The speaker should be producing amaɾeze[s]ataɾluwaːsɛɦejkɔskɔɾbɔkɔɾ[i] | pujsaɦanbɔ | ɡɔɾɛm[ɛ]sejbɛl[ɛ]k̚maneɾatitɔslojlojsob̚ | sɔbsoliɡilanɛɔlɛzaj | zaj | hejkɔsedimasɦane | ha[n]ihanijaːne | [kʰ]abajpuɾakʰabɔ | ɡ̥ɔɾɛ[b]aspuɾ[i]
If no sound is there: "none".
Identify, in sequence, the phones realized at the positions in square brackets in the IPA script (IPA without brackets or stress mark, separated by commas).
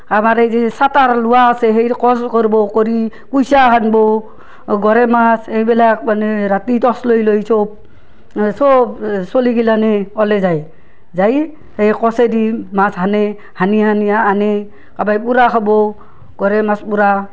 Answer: s, i, a, a, n, k, m, a